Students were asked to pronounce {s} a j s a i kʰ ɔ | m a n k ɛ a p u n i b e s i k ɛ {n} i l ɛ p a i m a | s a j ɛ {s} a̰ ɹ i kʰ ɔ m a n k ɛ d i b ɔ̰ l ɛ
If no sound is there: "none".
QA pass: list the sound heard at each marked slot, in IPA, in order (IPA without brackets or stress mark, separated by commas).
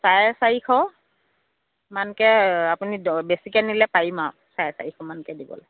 s, n, s